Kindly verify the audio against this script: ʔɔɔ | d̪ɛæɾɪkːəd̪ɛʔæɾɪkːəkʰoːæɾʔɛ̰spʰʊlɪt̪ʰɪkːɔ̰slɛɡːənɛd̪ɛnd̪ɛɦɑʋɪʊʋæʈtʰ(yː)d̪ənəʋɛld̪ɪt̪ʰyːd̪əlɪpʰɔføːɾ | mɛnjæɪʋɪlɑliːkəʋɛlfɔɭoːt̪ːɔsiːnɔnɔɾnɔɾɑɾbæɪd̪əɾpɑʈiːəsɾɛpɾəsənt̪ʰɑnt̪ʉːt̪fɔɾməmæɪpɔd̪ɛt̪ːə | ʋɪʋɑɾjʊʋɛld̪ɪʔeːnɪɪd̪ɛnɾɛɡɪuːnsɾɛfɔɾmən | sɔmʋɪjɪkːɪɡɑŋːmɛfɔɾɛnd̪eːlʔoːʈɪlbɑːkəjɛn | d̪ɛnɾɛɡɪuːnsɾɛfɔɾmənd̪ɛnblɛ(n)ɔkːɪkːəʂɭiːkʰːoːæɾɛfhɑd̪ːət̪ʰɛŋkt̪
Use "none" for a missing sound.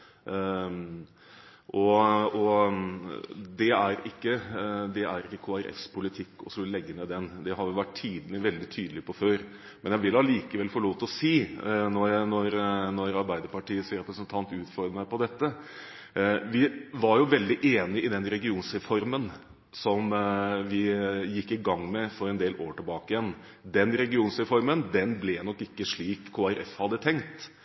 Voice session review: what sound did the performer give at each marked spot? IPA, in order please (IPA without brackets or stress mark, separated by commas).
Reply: iː, n